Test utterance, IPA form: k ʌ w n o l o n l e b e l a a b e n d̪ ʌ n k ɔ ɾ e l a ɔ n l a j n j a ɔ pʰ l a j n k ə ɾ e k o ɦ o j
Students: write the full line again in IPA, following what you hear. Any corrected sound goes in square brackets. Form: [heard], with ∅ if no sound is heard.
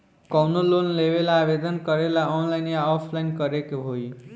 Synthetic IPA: k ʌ w n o l o n l e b e l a a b e [∅] d̪ ʌ n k [ʌ] ɾ e l a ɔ n l a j n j a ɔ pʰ l a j n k [ʌ] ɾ e k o ɦ o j